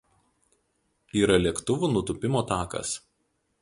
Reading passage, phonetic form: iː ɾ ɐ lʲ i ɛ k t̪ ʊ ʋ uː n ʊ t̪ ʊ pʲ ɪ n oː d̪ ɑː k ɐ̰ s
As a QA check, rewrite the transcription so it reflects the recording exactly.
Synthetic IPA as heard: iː ɾ ɐ lʲ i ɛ k t̪ ʊ ʋ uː n ʊ t̪ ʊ pʲ ɪ m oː t̪ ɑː k ɐ̰ s